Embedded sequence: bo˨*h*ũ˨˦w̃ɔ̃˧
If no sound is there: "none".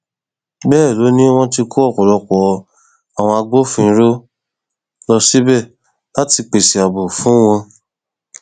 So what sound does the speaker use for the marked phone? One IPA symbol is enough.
f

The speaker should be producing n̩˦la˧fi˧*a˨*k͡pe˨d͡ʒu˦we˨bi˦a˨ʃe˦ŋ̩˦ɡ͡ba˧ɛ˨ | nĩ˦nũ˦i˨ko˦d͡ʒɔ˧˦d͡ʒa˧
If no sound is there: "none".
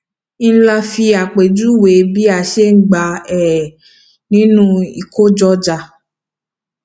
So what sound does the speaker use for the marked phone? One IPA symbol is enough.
a˨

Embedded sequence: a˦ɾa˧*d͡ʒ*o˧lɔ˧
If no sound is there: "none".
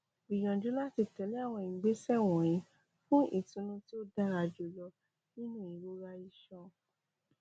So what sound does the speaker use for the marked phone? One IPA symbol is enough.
d͡ʒ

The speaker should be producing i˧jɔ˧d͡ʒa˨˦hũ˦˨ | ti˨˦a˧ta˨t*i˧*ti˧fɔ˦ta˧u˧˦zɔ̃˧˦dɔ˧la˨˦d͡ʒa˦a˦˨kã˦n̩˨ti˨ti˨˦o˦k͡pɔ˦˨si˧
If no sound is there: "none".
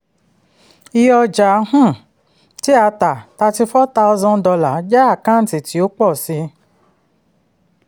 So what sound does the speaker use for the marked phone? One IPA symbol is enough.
a˧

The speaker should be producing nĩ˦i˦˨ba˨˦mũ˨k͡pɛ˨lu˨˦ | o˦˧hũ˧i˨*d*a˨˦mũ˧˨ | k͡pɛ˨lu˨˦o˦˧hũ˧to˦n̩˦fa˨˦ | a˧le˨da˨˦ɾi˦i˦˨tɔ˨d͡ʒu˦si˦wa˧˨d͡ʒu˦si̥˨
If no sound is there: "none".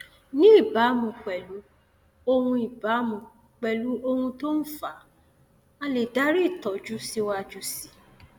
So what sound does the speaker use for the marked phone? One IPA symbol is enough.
b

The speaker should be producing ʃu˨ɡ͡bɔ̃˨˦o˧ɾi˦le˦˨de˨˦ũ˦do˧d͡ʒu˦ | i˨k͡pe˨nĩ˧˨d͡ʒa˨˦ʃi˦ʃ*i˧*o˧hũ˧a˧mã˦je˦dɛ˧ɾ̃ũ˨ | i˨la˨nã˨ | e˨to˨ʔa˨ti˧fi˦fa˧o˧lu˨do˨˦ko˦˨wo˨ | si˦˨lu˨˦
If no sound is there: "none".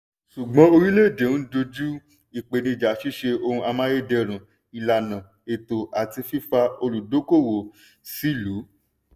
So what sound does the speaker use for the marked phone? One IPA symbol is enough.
e˧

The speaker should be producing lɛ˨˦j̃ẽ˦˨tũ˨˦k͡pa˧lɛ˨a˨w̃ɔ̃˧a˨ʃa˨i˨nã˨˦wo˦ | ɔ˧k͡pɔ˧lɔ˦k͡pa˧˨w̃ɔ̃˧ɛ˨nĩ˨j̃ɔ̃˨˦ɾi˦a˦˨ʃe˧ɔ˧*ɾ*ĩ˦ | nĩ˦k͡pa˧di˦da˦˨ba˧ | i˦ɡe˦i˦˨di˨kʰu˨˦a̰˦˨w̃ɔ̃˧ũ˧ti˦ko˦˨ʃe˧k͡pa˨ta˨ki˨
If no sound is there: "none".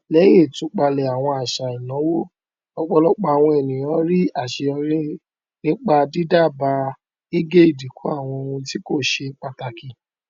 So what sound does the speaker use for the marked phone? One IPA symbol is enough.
ɾ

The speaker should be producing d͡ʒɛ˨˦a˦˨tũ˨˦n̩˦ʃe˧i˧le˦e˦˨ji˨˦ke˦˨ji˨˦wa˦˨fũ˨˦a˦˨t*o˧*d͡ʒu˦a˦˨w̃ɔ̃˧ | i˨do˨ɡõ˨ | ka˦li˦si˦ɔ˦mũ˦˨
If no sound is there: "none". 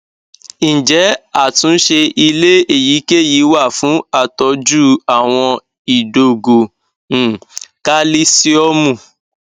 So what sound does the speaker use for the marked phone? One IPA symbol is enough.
ɔ˧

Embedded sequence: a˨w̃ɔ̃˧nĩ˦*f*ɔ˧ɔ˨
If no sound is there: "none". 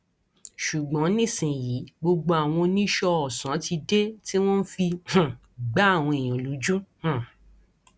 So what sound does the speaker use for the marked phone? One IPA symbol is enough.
ʃ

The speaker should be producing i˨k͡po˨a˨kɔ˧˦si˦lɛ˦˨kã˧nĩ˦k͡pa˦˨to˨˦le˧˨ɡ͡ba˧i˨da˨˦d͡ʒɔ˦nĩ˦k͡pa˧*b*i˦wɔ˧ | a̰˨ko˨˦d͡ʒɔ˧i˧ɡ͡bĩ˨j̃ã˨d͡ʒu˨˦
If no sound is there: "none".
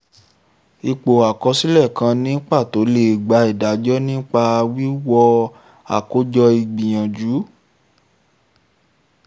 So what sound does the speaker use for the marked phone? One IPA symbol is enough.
w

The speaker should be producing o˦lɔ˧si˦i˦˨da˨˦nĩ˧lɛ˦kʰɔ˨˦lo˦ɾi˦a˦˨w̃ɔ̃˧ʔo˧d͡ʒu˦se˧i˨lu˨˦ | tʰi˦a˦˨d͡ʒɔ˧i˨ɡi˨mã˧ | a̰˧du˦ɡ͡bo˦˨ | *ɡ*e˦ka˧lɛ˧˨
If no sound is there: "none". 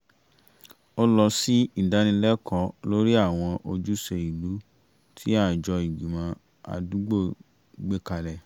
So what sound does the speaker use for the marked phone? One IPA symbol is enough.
ɡ͡b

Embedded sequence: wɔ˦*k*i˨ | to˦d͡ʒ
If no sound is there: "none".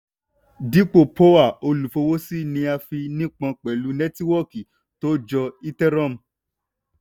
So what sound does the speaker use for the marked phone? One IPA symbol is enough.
k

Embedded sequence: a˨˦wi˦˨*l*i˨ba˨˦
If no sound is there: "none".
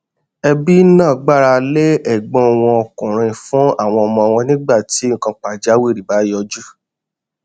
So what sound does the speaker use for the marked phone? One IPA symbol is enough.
ɾ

